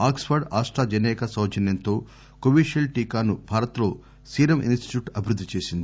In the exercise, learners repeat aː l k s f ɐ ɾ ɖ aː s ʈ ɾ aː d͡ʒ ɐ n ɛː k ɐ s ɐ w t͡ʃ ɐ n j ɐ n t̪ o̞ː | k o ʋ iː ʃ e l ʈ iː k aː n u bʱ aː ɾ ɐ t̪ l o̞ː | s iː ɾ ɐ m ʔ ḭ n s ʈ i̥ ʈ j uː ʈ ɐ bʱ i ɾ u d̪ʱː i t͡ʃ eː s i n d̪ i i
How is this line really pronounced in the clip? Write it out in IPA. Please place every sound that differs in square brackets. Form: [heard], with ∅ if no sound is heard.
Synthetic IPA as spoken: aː [∅] k s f ɐ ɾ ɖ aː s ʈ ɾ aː d͡ʒ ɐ n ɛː k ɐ s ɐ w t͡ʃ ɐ n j ɐ n t̪ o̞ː | k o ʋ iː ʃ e l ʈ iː k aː n u bʱ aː ɾ ɐ t̪ l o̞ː | s iː ɾ ɐ m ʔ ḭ n s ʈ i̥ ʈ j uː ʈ ɐ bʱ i ɾ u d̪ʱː i t͡ʃ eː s i n d̪ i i